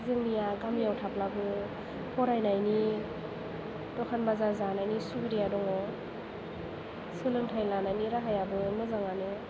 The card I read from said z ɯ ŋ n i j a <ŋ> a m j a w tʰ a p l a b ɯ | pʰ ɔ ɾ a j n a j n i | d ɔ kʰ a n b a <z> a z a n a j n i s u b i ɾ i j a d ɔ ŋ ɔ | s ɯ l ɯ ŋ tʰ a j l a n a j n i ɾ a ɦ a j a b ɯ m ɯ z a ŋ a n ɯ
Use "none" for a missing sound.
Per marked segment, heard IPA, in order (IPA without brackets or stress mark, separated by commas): ɡ, z